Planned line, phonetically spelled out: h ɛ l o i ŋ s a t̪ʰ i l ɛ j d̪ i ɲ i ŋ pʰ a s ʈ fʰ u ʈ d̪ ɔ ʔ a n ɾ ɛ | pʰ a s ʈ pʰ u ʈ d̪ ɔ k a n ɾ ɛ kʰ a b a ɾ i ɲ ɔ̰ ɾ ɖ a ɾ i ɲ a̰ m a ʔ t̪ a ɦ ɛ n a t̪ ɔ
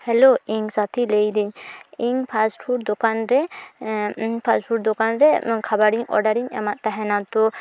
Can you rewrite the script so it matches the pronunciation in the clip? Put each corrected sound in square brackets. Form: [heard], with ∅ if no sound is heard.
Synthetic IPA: h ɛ l o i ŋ s a t̪ʰ i l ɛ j d̪ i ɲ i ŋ pʰ a s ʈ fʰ u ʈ d̪ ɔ [k] a n ɾ ɛ | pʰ a s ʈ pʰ u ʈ d̪ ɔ k a n ɾ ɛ kʰ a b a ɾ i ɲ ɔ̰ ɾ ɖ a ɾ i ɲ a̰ m a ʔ t̪ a ɦ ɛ n a t̪ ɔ